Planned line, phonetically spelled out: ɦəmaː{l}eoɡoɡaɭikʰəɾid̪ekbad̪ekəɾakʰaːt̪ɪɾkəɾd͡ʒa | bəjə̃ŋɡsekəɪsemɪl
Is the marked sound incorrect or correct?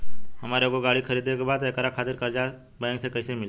incorrect